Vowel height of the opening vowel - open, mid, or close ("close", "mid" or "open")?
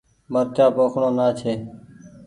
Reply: mid